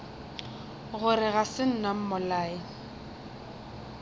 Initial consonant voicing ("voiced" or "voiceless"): voiced